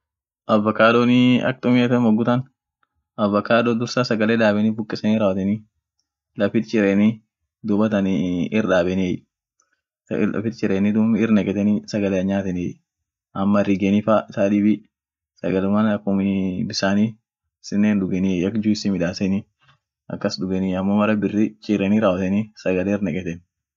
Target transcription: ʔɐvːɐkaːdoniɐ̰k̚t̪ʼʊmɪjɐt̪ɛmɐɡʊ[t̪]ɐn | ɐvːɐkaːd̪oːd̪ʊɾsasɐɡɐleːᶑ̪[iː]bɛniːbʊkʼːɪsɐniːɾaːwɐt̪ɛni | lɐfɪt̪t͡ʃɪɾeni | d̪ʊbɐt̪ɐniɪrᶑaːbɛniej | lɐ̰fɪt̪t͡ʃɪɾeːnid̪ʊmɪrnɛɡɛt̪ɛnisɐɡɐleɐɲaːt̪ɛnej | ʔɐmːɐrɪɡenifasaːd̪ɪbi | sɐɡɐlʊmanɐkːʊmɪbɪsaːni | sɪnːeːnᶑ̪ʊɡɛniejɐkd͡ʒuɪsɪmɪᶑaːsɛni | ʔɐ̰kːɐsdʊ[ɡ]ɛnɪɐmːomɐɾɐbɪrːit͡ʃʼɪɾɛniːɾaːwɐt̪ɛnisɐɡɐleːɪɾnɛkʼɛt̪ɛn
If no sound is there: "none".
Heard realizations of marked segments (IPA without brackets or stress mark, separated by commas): t̪, aː, ɡ